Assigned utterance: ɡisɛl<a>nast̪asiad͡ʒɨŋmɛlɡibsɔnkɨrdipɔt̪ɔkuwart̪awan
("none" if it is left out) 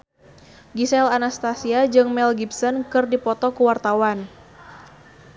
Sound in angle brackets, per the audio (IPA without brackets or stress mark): a